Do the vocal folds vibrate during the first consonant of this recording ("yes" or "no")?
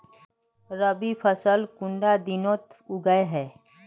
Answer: yes